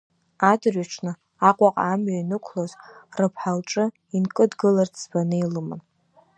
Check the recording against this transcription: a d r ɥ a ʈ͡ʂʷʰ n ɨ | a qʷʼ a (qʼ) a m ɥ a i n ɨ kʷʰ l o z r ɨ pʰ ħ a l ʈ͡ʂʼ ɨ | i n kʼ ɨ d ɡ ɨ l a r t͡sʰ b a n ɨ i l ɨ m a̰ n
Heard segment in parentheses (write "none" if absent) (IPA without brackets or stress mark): qʼ